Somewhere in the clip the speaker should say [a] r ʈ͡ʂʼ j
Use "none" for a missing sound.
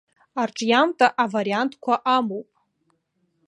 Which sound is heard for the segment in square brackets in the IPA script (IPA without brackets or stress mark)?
a